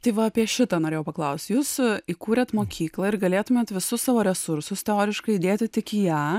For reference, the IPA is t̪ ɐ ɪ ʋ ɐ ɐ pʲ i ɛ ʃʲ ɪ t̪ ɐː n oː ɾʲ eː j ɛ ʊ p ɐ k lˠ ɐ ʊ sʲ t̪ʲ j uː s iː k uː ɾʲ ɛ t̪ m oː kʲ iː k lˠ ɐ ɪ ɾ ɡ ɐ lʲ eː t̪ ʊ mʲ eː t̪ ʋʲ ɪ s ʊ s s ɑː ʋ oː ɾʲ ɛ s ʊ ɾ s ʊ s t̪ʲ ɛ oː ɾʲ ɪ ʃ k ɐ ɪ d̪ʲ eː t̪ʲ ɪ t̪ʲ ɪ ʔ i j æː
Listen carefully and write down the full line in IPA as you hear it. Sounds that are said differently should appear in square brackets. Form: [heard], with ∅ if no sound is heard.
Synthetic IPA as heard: t̪ ɐ ɪ ʋ ɐ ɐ pʲ i ɛ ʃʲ ɪ t̪ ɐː n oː ɾʲ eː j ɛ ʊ p ɐ k lˠ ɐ ʊ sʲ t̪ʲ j uː s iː k uː ɾʲ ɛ t̪ m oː kʲ iː k lˠ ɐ ɪ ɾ ɡ ɐ lʲ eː t̪ ʊ mʲ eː t̪ ʋʲ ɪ s ʊ s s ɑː ʋ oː ɾʲ ɛ s ʊ ɾ s ʊ s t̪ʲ ɛ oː ɾʲ ɪ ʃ k ɐ ɪ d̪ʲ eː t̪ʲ ɪ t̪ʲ ɪ [k] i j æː